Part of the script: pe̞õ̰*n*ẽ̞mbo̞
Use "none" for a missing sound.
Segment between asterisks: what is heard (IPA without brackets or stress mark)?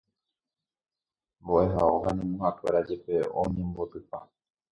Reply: ɲ